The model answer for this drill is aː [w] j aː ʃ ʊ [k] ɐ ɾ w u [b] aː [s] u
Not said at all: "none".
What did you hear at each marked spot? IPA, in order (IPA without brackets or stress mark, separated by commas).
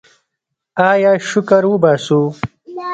none, k, b, s